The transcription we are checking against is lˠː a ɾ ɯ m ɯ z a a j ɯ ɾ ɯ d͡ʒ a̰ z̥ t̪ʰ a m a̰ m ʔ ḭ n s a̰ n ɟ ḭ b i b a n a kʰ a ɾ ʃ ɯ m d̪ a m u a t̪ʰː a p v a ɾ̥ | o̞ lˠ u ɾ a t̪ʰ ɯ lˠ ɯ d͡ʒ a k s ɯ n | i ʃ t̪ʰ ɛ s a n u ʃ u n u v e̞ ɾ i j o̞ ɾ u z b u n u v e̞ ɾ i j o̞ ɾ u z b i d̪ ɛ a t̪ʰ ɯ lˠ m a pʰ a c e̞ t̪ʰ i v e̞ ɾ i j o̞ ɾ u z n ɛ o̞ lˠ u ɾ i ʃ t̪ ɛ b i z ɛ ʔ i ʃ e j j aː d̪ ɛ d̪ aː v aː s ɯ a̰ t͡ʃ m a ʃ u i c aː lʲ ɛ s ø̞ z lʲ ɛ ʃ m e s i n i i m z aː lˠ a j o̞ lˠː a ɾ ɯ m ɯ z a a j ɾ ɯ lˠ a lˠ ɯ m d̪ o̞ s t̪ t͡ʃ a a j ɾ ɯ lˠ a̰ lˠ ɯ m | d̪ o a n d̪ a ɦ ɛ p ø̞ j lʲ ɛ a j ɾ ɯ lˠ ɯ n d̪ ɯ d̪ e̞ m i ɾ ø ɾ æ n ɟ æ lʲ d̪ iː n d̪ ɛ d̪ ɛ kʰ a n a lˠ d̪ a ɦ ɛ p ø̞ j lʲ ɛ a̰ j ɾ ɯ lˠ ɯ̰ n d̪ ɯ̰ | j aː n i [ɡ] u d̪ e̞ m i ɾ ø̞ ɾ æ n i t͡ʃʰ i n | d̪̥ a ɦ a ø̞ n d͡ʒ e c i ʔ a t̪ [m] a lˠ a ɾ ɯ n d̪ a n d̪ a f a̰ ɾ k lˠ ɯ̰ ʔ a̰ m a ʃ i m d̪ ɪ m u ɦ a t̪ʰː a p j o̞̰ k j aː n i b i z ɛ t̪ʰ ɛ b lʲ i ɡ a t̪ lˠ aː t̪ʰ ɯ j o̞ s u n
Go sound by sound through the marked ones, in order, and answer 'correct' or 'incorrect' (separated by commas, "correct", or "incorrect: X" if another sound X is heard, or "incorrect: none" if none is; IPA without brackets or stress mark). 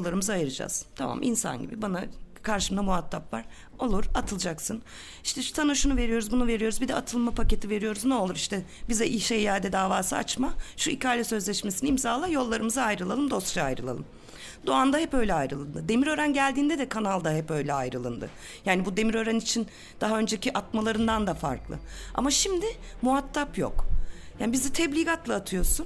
incorrect: b, correct